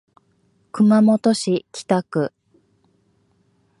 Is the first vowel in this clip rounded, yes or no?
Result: no